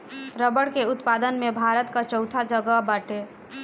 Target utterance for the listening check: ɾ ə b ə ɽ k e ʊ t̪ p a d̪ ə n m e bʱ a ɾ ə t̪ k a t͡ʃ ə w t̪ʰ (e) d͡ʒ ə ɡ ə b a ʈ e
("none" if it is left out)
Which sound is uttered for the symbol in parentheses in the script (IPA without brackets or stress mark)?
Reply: a